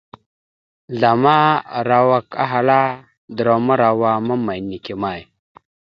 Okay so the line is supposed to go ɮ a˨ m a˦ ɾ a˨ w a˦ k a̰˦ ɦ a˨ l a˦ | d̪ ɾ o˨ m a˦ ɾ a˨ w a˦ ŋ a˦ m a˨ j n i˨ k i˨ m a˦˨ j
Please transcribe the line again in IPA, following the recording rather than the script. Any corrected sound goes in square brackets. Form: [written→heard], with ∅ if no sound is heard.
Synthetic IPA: ɮ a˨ m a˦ ɾ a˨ w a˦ k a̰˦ ɦ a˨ l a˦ | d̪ ɾ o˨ m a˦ ɾ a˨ w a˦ [ŋ→m] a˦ m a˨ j n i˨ k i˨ m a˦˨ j